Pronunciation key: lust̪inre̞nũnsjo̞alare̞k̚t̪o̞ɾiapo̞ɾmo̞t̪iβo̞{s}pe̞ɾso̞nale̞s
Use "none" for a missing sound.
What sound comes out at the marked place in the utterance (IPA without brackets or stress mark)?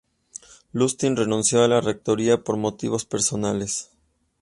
s